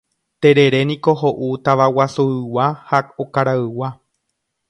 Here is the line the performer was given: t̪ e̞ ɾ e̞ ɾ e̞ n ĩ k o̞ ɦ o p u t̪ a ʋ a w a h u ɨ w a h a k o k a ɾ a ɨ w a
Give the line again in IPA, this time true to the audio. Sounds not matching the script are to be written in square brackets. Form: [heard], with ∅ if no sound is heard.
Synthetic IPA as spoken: t̪ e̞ ɾ e̞ ɾ e̞ n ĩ k o̞ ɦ o [ʔ] u t̪ a ʋ a w a [s] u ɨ w a h a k o k a ɾ a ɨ w a